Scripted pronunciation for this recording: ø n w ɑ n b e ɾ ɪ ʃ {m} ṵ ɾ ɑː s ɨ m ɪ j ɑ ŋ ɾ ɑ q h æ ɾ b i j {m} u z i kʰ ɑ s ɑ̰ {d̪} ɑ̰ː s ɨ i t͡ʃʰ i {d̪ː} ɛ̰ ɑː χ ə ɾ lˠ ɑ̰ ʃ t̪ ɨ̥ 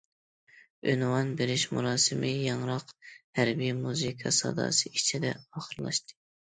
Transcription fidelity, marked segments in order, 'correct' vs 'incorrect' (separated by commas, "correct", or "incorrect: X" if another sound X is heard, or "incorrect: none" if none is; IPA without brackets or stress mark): correct, correct, correct, incorrect: d̪